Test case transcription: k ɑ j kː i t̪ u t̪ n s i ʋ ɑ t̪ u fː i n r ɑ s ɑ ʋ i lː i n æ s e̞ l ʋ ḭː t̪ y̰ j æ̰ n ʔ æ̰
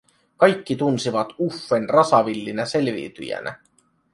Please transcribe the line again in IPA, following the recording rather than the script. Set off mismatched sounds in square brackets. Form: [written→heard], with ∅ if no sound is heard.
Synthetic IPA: k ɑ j kː i t̪ u [t̪→∅] n s i ʋ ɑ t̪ u fː [i→e] n r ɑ s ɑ ʋ i lː i n æ s e̞ l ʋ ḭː t̪ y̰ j æ̰ n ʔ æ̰